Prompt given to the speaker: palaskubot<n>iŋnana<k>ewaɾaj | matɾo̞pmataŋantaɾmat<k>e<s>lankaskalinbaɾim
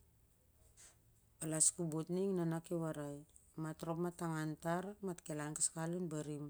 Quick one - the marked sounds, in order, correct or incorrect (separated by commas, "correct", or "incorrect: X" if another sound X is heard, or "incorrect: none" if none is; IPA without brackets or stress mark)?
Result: correct, correct, correct, incorrect: none